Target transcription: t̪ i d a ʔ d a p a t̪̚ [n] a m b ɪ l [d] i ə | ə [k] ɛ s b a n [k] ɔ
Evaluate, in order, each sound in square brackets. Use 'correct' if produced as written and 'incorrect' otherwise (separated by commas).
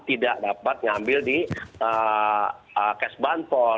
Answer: incorrect, correct, correct, incorrect